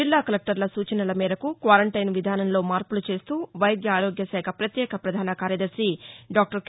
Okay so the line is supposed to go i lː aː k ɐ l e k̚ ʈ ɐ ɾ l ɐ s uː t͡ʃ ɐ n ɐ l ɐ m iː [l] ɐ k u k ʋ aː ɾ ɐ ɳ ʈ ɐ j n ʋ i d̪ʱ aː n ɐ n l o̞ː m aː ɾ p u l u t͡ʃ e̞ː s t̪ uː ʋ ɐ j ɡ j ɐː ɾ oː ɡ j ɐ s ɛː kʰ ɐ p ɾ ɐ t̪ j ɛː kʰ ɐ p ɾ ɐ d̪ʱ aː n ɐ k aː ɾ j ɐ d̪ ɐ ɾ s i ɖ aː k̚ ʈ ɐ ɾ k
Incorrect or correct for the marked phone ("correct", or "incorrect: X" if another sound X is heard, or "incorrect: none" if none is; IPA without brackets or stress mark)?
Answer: incorrect: ɾ